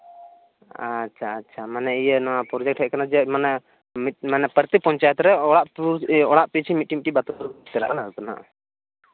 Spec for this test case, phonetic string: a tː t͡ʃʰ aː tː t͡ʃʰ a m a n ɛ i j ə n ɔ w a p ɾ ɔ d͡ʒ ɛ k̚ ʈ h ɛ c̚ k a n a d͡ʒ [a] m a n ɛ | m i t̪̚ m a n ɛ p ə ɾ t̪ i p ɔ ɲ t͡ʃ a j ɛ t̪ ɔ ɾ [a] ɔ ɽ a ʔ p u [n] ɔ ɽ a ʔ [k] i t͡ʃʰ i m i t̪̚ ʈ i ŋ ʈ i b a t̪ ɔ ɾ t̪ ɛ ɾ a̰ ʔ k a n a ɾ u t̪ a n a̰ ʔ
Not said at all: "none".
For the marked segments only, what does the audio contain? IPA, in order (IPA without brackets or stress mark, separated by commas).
ɛ, ɛ, none, p